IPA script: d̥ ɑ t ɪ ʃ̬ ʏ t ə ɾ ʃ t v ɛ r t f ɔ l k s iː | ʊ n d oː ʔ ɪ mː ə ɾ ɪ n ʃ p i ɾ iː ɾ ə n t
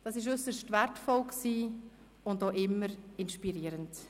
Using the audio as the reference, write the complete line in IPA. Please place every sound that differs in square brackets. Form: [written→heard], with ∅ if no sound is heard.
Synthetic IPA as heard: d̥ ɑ [t→s] ɪ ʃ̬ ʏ [t→s] ə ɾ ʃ t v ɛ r t f ɔ l k s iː | ʊ n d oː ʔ ɪ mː ə ɾ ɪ n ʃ p i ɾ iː ɾ ə n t

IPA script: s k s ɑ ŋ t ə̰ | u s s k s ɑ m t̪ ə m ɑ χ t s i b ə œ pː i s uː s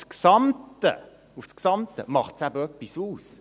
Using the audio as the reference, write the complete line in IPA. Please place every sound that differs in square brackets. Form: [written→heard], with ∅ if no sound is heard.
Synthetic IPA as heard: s k s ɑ [ŋ→m] t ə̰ | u [s→f] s k s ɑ m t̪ ə m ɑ χ t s [i→æ] b ə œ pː i s uː s

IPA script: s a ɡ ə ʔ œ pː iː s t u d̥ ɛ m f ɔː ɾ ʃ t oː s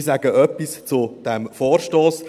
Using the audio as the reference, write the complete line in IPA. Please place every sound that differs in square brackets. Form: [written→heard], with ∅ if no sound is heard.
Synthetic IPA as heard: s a ɡ ə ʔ œ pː [iː→i] s [t→t͡s] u d̥ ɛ m f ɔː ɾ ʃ t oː s

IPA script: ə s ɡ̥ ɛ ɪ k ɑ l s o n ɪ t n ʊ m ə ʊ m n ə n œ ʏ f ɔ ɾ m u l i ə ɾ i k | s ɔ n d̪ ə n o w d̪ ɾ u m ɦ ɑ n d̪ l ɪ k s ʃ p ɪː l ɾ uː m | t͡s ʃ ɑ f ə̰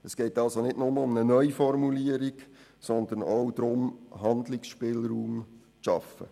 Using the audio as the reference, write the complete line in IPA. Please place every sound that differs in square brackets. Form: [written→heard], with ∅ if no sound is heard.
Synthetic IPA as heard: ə s ɡ̥ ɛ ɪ [k→t] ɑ l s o n ɪ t n ʊ m ə ʊ m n ə n œ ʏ f ɔ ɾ m u l i ə ɾ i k | s ɔ n d̪ ə n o w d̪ ɾ [u→ʊ] m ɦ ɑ n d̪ l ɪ k s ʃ p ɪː l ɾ uː m | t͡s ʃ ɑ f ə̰

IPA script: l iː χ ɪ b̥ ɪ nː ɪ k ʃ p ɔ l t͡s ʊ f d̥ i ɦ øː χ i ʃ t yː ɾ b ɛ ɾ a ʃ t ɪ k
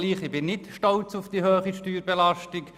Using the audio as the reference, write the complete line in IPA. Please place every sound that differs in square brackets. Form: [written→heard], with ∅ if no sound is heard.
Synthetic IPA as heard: l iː χ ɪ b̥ ɪ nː ɪ [k→t] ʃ [p→t] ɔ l t͡s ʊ f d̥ i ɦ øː χ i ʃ t yː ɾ b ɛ [ɾ→l] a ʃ t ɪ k

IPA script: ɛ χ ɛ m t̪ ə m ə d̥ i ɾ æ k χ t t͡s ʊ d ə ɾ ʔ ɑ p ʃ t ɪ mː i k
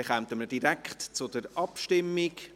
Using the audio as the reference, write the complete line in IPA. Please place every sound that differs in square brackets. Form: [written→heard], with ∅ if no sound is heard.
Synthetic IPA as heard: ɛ χ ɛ m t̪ ə m ə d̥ i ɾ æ k χ t t͡s ʊ d ə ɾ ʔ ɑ p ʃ t ɪ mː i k

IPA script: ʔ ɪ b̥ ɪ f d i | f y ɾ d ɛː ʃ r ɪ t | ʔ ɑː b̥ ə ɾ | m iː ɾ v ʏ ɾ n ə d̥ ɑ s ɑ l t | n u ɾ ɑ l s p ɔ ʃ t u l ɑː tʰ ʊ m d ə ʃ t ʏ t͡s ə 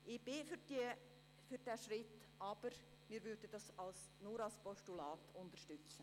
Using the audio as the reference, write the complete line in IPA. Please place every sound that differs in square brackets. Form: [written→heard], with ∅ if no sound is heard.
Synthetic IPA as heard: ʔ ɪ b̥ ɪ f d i | f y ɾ d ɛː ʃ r ɪ t | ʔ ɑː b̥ ə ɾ | m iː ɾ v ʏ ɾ [n→d] ə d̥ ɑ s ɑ l [t→s] | n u ɾ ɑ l s p ɔ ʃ t u l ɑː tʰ ʊ [m→n] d ə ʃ t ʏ t͡s ə

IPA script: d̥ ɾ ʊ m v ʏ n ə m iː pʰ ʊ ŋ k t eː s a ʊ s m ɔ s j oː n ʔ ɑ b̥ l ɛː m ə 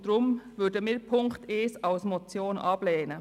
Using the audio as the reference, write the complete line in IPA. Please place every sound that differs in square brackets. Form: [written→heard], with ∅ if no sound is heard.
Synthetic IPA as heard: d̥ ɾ ʊ m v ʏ [n→d] ə m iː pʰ ʊ ŋ k t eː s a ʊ s m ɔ [s→t͡s] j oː n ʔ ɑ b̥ l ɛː [m→n] ə

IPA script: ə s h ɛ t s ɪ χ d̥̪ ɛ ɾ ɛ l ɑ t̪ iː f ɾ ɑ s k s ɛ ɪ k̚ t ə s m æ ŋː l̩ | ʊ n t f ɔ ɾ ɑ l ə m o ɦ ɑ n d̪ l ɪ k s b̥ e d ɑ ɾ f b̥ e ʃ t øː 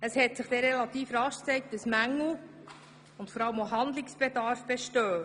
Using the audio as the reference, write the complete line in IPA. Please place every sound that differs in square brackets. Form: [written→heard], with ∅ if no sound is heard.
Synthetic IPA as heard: ə s h ɛ t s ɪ χ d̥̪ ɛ ɾ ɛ l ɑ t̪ iː f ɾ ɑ [s→ʃ] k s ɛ ɪ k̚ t ə s m æ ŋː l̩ | ʊ n t f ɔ ɾ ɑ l ə m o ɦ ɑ n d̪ l ɪ k s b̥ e d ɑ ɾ f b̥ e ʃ t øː

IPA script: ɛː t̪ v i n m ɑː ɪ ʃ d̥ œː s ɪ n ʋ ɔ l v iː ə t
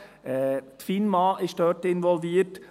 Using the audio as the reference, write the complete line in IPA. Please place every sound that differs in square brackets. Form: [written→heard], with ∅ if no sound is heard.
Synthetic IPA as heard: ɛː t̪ [v→f] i n m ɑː ɪ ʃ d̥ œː [s→t] ɪ n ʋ ɔ l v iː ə t

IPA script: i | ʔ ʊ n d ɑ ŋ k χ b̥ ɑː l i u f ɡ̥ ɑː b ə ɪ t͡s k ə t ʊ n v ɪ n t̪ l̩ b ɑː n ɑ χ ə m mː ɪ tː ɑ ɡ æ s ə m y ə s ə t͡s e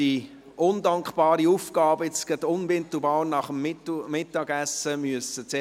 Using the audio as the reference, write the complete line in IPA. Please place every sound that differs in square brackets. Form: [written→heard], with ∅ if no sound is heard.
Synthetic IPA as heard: i | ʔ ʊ n d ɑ ŋ k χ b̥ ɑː [l→ɾ] i u f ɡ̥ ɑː b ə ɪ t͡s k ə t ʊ n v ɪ n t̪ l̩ b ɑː n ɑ χ ə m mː ɪ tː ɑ ɡ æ s ə m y ə s ə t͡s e

